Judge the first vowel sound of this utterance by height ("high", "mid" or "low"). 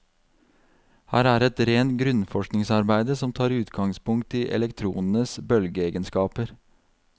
low